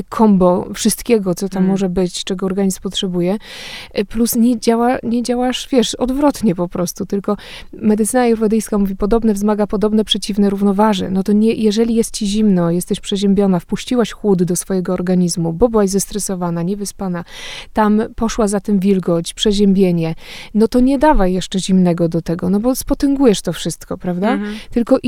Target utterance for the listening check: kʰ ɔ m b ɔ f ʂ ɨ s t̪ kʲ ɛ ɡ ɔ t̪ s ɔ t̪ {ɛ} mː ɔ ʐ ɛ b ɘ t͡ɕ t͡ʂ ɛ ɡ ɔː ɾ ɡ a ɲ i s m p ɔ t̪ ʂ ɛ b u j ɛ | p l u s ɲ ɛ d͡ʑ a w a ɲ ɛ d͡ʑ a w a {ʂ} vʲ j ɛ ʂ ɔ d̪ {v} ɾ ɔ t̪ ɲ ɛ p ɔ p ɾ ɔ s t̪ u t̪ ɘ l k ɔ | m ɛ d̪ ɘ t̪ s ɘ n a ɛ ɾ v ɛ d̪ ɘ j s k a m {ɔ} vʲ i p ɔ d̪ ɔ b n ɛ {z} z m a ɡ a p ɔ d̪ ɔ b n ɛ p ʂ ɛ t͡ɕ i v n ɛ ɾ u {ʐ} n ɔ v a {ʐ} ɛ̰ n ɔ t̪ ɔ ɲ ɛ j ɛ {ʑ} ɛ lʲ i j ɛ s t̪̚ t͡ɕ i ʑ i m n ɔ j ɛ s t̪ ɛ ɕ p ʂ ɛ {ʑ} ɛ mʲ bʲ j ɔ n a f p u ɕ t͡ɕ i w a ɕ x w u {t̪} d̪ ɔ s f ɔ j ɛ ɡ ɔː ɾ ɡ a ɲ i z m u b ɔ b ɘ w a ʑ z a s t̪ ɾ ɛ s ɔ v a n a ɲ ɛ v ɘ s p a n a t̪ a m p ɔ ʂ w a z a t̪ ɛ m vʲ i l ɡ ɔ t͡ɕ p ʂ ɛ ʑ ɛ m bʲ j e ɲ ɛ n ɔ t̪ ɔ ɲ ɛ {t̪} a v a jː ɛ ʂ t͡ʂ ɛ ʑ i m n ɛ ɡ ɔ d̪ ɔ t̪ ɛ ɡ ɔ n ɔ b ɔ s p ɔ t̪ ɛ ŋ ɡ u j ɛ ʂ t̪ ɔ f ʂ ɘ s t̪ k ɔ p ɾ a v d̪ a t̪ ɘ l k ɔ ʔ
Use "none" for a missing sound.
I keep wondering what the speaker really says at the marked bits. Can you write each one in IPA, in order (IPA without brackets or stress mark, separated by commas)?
a, ʂ, v, u, v, v, ʐ, ʐ, ʑ, d̪, d̪